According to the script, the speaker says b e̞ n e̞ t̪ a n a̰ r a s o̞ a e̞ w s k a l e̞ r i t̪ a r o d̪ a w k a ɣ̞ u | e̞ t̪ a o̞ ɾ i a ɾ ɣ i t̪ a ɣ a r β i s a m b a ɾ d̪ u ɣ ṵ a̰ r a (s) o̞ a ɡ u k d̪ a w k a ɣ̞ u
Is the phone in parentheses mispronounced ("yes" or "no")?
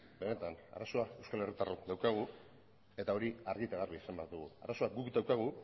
no